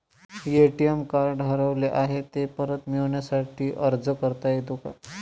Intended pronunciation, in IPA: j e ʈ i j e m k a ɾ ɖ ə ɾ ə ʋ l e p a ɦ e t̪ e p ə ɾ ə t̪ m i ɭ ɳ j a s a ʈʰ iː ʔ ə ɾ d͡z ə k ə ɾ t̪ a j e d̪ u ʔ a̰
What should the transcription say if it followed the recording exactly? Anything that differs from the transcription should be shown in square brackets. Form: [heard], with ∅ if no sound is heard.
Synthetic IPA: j e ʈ i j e m k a ɾ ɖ ə ɾ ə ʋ l e [ʔ] a ɦ e t̪ e p ə ɾ ə t̪ m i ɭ ɳ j a s a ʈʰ iː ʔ ə ɾ d͡z ə k ə ɾ t̪ a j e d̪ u [k] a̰